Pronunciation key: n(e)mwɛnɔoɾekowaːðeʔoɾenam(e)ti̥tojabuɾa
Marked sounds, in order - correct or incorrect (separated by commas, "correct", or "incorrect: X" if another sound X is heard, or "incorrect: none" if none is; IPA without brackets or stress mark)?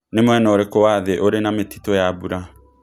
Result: correct, correct